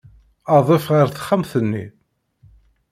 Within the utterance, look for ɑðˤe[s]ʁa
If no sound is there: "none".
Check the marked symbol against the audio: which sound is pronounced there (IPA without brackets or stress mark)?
f